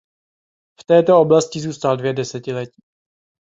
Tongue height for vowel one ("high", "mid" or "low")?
mid